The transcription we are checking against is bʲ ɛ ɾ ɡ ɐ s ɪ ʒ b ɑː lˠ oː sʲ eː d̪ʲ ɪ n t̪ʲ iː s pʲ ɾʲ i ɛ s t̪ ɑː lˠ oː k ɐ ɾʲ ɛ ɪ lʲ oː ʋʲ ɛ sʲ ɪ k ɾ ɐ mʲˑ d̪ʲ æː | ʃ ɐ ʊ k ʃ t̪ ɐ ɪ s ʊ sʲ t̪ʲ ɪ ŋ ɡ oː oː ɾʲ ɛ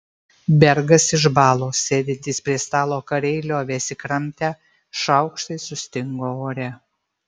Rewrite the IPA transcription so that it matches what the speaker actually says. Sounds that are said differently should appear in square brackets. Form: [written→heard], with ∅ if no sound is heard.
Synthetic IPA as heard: bʲ ɛ ɾ ɡ ɐ s ɪ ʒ b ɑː lˠ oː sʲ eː d̪ʲ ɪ n t̪ʲ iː s pʲ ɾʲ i ɛ s t̪ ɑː lˠ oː k ɐ ɾʲ ɛ ɪ lʲ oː ʋʲ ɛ sʲ ɪ k ɾ ɐ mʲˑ [d̪ʲ→t̪ʲ] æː | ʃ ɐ ʊ k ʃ t̪ ɐ ɪ s ʊ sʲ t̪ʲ ɪ ŋ ɡ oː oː ɾʲ ɛ

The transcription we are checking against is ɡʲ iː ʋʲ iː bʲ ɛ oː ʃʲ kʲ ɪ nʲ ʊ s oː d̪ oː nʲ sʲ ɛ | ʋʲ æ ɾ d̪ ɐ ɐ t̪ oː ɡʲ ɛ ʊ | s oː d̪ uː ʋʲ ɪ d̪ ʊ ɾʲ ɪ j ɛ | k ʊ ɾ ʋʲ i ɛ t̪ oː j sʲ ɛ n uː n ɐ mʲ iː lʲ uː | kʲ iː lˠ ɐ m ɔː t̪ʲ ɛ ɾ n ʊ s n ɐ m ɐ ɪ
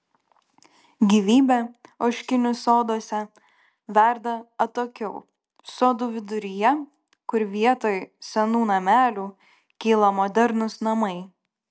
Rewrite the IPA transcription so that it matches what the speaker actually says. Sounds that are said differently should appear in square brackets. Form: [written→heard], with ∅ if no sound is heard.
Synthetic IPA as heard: ɡʲ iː ʋʲ iː bʲ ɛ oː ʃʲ kʲ ɪ nʲ ʊ s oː d̪ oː [nʲ→∅] sʲ ɛ | ʋʲ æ ɾ d̪ ɐ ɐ t̪ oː [ɡʲ→kʲ] ɛ ʊ | s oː d̪ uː ʋʲ ɪ d̪ ʊ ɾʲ ɪ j ɛ | k ʊ ɾ ʋʲ i ɛ t̪ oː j sʲ ɛ n uː n ɐ mʲ [iː→æː] lʲ uː | kʲ iː lˠ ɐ m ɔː [t̪ʲ→d̪ʲ] ɛ ɾ n ʊ s n ɐ m ɐ ɪ

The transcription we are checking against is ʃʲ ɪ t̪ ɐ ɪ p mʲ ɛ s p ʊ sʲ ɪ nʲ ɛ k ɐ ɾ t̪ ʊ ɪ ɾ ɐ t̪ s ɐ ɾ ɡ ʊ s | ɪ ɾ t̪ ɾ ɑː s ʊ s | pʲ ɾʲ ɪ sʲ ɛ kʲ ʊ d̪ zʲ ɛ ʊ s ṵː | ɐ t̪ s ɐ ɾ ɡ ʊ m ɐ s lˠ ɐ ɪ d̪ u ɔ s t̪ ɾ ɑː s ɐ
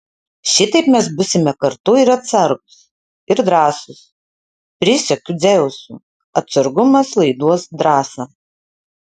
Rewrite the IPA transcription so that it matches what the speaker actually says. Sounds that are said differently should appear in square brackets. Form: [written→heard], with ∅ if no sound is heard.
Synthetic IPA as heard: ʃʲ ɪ t̪ ɐ ɪ p mʲ ɛ s [p→b] ʊ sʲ ɪ [nʲ→mʲ] ɛ k ɐ ɾ t̪ ʊ ɪ ɾ ɐ t̪ s ɐ ɾ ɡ ʊ s | ɪ ɾ [t̪→d̪] ɾ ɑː s ʊ s | pʲ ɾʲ ɪ sʲ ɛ kʲ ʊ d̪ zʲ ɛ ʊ s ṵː | ɐ t̪ s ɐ ɾ ɡ ʊ m ɐ s lˠ ɐ ɪ d̪ u ɔ s [t̪→d̪] ɾ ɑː s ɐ

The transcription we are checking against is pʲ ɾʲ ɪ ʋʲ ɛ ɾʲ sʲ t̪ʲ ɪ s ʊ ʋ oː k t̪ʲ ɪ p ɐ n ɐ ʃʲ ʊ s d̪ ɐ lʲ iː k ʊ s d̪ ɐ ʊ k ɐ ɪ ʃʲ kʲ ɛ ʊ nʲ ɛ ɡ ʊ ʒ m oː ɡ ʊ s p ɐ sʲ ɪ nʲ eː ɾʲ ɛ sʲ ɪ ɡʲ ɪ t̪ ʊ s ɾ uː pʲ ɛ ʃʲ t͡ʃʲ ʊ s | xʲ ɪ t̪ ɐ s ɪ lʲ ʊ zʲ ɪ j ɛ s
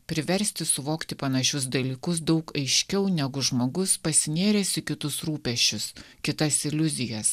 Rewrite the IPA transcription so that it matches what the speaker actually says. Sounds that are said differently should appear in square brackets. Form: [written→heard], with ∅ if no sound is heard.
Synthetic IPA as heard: pʲ ɾʲ ɪ ʋʲ ɛ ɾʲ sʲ t̪ʲ ɪ s ʊ ʋ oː k t̪ʲ ɪ p ɐ n ɐ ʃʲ ʊ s d̪ ɐ lʲ iː k ʊ s d̪ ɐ ʊ k ɐ ɪ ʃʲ kʲ ɛ ʊ nʲ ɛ ɡ ʊ ʒ m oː ɡ ʊ s p ɐ sʲ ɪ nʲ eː ɾʲ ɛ sʲ ɪ [ɡʲ→kʲ] ɪ t̪ ʊ s ɾ uː pʲ ɛ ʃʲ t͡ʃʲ ʊ s | [xʲ→kʲ] ɪ t̪ ɐ s ɪ lʲ ʊ zʲ ɪ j ɛ s

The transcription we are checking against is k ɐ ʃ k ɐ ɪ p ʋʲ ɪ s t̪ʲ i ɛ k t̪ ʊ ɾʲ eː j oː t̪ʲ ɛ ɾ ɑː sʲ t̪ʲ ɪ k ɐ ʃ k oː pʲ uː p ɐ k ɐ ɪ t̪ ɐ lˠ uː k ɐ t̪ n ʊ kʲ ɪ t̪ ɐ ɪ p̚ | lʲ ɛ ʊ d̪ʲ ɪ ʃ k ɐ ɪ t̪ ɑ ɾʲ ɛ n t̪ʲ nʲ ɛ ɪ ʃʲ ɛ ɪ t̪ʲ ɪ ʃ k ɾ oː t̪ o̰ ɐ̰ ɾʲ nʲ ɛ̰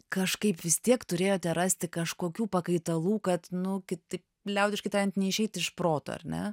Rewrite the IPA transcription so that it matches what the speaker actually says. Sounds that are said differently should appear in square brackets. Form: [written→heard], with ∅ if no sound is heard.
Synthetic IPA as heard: k ɐ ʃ k ɐ ɪ p ʋʲ ɪ s t̪ʲ i ɛ k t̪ ʊ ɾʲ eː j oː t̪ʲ ɛ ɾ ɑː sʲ t̪ʲ ɪ k ɐ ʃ k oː [pʲ→kʲ] uː p ɐ k ɐ ɪ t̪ ɐ lˠ uː k ɐ t̪ n ʊ kʲ ɪ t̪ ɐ ɪ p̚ | lʲ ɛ ʊ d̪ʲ ɪ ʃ k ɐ ɪ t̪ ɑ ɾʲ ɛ n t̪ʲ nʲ ɛ ɪ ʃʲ ɛ ɪ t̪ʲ ɪ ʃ [k→p] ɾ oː t̪ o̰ ɐ̰ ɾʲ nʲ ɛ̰

